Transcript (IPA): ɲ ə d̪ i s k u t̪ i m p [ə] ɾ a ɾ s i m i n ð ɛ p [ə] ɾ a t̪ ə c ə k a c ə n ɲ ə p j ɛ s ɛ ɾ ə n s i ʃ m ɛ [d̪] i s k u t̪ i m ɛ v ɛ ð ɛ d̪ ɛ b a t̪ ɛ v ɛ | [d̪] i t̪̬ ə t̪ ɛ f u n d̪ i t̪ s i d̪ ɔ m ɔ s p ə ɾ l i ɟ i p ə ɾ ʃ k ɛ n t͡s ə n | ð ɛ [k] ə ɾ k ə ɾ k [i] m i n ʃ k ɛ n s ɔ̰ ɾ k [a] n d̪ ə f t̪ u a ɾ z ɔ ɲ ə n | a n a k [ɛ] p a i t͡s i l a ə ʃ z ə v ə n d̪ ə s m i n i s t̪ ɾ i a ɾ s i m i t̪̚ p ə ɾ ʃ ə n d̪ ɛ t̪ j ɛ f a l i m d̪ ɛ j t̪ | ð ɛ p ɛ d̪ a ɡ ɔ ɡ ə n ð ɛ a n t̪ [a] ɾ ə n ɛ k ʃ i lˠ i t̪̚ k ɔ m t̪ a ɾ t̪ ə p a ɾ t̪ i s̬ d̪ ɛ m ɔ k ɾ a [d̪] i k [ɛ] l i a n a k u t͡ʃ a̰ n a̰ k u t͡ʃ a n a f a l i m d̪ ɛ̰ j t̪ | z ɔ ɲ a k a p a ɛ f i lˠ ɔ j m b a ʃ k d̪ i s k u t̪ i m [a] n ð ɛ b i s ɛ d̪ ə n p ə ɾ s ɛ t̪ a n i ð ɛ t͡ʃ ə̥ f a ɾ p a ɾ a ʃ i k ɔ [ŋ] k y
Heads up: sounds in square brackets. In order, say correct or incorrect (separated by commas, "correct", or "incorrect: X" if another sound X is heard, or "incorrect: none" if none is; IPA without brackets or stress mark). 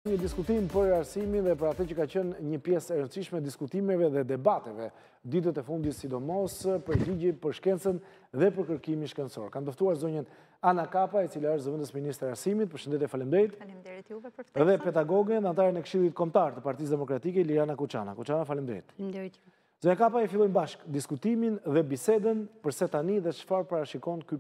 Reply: correct, correct, correct, correct, incorrect: p, correct, correct, incorrect: a, correct, incorrect: t̪, correct, incorrect: i, incorrect: n